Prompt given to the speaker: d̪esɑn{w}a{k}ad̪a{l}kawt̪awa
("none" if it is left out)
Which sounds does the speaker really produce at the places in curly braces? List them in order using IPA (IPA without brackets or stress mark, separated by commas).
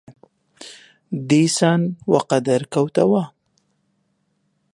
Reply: w, q, ɾ